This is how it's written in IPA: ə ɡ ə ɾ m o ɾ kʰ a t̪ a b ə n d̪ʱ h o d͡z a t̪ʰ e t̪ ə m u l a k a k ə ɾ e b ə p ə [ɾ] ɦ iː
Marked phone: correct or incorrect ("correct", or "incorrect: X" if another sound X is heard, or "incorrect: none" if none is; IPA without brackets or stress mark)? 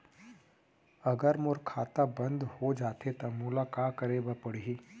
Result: incorrect: ɽ